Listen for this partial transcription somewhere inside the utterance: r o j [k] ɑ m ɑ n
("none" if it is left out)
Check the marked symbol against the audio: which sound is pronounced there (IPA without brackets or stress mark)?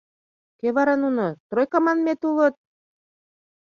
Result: k